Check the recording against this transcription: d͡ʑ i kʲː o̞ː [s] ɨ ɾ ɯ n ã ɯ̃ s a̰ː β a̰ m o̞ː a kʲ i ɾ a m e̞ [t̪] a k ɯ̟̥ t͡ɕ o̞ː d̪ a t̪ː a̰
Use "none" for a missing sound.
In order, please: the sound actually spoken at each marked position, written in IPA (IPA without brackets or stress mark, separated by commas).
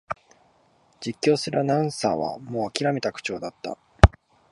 s, t̪